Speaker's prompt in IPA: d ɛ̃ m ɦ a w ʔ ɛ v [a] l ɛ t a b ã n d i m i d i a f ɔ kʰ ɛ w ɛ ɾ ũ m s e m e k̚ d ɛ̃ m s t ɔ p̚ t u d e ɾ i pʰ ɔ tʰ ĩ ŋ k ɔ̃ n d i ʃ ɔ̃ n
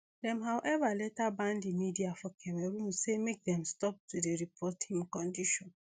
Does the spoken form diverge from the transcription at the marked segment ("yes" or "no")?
no